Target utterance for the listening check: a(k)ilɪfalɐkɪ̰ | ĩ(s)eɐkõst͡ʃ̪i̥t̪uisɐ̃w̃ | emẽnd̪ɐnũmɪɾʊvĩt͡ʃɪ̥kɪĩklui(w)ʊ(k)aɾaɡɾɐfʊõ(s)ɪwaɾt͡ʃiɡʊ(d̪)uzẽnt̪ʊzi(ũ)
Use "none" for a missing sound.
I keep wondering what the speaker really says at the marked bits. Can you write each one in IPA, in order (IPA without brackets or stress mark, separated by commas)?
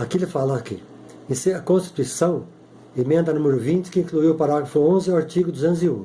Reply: k, s, w, p, z, d̪, ũ